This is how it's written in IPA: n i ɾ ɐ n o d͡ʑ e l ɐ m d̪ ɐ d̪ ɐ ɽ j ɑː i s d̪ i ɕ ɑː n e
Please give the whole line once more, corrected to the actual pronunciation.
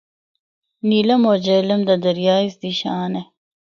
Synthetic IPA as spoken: n i l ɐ m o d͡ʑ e l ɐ m d̪ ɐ d̪ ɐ ɾ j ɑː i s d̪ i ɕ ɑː n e